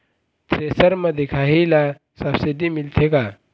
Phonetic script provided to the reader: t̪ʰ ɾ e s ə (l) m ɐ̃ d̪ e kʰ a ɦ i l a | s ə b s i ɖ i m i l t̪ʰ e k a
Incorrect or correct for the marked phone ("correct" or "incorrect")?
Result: incorrect